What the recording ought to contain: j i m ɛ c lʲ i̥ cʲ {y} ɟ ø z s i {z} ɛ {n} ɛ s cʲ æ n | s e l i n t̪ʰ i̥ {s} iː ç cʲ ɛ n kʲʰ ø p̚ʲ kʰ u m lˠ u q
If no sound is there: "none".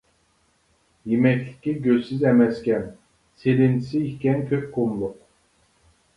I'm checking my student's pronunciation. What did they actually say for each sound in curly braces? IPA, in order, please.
i, z, m, s

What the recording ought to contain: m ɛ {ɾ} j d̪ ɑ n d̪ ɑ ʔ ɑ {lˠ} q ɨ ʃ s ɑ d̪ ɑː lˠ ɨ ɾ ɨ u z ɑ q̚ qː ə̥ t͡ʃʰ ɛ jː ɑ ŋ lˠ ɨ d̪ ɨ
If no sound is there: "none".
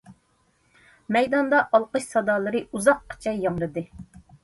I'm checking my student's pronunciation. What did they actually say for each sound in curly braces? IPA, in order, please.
none, lˠ

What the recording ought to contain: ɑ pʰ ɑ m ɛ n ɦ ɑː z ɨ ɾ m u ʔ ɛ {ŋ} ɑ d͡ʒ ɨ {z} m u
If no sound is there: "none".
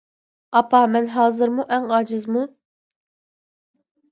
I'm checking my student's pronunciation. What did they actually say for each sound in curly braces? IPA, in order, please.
ŋ, z

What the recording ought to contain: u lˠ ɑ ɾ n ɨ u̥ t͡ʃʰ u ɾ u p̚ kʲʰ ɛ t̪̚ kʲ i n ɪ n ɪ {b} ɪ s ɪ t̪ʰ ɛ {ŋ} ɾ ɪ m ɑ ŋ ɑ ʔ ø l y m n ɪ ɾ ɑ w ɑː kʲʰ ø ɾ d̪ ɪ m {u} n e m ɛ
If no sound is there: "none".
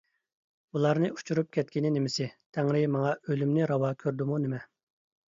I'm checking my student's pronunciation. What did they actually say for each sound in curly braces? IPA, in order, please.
m, ŋ, u

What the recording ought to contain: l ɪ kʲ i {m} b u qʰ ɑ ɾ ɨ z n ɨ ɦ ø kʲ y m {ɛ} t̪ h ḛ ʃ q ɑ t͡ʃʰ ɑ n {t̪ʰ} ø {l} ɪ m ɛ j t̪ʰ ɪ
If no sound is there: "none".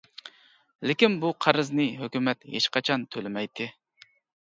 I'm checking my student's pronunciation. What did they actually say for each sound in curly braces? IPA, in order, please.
n, ɛ, t̪ʰ, l

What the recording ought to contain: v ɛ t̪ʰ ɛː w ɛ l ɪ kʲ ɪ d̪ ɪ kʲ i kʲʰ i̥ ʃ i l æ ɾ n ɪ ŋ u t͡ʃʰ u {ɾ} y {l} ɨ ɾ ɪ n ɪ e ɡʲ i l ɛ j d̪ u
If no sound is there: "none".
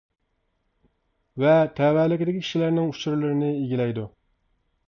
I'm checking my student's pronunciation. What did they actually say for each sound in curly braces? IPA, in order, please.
ɾ, l

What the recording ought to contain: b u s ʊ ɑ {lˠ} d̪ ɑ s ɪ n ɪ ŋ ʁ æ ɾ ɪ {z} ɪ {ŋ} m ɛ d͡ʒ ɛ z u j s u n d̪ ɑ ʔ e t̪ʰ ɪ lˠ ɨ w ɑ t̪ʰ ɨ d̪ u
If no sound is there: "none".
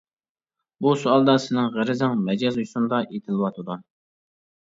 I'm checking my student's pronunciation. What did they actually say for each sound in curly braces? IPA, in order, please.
lˠ, z, ŋ

